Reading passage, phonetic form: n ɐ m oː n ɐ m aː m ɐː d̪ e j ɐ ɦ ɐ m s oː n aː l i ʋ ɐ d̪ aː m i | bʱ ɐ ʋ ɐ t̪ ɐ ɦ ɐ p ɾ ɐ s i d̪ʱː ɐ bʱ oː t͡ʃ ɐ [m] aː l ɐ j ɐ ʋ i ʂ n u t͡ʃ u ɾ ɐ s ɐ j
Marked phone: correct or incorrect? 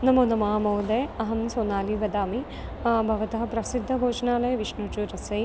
incorrect